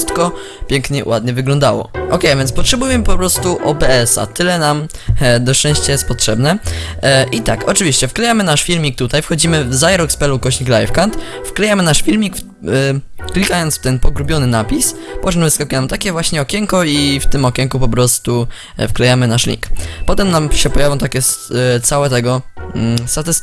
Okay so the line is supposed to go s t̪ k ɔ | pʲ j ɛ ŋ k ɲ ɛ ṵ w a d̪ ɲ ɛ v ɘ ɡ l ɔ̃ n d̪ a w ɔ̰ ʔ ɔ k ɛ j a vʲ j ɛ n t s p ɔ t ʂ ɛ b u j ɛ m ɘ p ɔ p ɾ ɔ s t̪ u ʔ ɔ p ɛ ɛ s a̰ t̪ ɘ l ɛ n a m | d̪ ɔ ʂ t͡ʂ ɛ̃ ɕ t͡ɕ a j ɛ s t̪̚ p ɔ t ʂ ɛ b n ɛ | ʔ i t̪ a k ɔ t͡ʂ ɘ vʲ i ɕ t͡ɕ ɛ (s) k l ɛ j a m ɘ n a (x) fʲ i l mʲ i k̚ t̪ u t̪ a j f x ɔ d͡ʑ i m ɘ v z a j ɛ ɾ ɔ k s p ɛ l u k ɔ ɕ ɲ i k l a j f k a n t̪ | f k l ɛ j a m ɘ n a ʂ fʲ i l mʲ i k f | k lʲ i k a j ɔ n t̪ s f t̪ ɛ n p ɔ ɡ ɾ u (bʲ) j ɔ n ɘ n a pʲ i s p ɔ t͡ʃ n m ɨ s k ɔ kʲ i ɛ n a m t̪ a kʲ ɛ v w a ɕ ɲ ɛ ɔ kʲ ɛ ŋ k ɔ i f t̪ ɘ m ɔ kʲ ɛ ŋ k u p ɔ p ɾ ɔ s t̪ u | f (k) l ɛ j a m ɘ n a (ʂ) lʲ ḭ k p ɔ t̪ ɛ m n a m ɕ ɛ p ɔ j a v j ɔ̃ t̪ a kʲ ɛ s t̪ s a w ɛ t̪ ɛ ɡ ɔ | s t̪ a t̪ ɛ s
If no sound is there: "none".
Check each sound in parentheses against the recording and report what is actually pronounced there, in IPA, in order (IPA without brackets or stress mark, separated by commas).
f, ʂ, bʲ, k, ʂ